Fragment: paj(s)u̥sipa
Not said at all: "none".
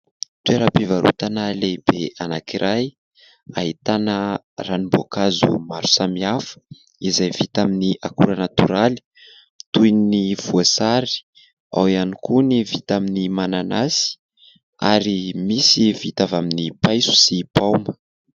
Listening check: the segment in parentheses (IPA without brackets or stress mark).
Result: s